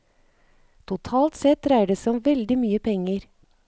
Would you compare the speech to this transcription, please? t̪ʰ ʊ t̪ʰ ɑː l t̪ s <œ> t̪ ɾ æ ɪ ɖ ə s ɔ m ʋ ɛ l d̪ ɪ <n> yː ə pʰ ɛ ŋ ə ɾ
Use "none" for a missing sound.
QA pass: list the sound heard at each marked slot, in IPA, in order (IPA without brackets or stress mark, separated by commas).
ɛ, m